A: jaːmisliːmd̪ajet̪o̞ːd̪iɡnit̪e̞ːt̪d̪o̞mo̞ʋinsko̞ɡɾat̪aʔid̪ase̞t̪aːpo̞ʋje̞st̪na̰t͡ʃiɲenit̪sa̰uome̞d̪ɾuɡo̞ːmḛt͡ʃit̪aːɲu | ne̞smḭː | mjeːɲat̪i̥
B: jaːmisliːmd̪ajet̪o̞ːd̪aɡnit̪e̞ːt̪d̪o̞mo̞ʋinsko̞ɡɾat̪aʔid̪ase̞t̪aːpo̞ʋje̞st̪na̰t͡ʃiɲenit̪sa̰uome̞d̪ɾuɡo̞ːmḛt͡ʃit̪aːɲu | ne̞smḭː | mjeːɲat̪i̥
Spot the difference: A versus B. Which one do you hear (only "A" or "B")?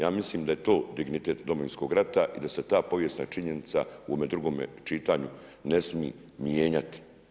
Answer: A